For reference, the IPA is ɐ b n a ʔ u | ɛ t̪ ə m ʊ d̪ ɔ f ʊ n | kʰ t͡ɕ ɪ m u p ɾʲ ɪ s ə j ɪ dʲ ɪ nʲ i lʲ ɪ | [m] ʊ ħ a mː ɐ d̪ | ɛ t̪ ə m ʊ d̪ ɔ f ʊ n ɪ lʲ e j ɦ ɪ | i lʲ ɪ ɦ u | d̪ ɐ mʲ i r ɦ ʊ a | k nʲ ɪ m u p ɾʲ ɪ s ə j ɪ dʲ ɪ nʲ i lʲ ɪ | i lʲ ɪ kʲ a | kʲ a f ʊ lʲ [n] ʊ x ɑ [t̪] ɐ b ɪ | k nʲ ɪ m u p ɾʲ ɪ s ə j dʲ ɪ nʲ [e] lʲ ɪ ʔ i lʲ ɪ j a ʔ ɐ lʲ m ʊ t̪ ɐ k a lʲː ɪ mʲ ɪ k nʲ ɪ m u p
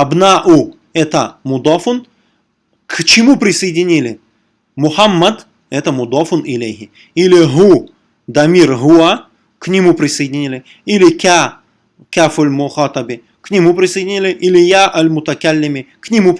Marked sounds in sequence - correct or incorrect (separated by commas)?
correct, incorrect, correct, incorrect